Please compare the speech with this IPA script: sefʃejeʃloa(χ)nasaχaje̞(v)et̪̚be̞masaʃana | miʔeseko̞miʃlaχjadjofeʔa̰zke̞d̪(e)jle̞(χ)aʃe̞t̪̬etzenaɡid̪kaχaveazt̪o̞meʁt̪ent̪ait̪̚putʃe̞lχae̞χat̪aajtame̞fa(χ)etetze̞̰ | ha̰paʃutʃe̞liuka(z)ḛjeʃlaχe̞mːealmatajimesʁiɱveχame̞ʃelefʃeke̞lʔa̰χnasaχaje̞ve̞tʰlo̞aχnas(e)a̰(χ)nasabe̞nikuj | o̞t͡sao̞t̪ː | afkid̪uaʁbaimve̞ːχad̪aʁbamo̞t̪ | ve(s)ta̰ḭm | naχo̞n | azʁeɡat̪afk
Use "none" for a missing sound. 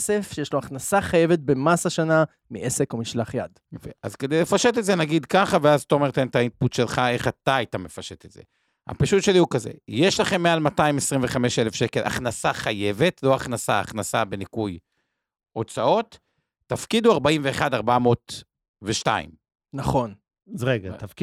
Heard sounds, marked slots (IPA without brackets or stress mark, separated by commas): χ, v, e, f, ʃ, z, a, χ, ʃ